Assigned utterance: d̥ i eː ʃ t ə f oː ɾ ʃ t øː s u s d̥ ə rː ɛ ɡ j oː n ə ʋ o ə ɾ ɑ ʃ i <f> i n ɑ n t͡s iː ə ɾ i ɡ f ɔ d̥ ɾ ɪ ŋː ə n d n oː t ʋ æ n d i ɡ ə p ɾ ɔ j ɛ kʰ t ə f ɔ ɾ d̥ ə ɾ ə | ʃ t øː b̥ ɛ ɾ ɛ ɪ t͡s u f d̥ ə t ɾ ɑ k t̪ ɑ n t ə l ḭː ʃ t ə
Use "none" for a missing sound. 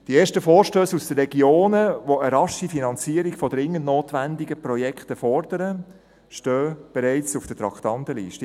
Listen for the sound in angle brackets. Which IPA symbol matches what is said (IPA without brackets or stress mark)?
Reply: f